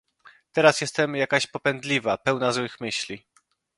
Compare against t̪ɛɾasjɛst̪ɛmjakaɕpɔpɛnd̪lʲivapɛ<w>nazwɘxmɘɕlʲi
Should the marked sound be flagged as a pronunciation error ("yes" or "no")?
no